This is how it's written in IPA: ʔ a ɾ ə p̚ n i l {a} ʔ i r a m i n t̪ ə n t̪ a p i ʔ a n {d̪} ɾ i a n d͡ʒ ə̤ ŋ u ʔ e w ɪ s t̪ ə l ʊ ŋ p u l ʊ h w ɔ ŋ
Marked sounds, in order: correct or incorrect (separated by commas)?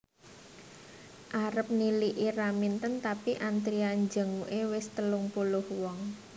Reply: incorrect, incorrect